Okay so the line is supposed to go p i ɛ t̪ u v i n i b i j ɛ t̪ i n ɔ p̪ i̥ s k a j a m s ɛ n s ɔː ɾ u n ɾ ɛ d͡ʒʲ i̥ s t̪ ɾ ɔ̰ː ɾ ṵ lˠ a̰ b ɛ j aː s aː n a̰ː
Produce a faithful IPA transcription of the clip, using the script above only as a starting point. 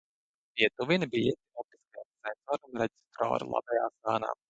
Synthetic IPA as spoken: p i ɛ t̪ u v i n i b i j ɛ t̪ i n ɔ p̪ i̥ s k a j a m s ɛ n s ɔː ɾ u n ɾ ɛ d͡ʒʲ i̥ s t̪ ɾ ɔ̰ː ɾ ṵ lˠ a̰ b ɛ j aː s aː n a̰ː